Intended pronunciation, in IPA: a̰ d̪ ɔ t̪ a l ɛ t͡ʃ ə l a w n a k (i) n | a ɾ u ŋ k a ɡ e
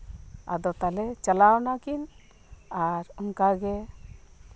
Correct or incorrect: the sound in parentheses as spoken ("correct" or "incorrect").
correct